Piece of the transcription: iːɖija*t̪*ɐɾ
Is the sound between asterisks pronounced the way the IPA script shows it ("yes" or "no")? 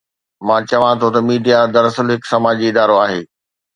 no